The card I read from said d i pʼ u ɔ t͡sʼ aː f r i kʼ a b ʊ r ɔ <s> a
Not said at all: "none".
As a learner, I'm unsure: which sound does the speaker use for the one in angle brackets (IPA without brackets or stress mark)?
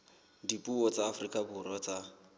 t͡s